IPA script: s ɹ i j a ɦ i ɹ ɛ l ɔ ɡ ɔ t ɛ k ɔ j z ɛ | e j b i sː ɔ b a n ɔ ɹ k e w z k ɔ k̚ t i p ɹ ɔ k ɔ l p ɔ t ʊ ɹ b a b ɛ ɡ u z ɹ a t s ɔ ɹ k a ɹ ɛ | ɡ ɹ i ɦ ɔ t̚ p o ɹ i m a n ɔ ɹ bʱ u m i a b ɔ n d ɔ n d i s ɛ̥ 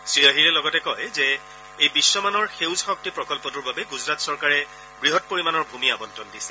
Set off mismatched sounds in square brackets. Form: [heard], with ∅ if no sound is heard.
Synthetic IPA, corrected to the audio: s ɹ i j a ɦ i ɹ ɛ l ɔ ɡ ɔ t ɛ k ɔ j z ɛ | e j b i sː ɔ [m] a n ɔ ɹ [x] e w z [x] ɔ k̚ t i p ɹ ɔ k ɔ l p ɔ t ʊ ɹ b a b ɛ ɡ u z ɹ a t s ɔ ɹ k a ɹ ɛ | ɡ ɹ i ɦ ɔ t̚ p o ɹ i m a n ɔ ɹ bʱ u m i a b ɔ n [t] ɔ n d i s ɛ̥